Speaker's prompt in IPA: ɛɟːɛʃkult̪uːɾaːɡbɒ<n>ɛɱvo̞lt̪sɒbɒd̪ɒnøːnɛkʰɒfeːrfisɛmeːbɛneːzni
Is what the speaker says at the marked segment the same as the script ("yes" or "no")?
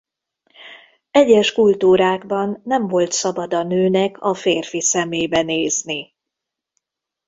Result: no